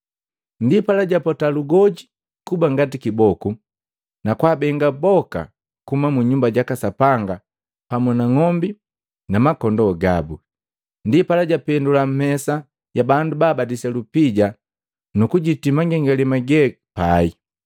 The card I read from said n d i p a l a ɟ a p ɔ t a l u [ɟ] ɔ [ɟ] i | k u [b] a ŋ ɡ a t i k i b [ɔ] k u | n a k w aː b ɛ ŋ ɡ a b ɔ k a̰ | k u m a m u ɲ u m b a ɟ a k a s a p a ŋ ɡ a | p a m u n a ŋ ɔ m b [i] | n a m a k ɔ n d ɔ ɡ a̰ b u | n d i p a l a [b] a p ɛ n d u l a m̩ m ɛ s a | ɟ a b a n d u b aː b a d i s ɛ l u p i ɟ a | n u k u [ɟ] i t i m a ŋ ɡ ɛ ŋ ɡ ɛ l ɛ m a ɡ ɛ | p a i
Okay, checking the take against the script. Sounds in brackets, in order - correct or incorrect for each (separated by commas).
incorrect, correct, correct, correct, correct, incorrect, correct